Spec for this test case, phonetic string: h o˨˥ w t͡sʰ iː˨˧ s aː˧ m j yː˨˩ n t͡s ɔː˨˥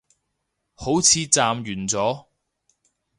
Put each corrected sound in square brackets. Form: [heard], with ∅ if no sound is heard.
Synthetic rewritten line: h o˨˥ w t͡sʰ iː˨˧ [t͡s] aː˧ m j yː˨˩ n t͡s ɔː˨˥